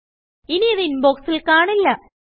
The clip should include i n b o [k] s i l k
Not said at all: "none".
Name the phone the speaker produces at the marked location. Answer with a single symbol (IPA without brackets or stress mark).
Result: k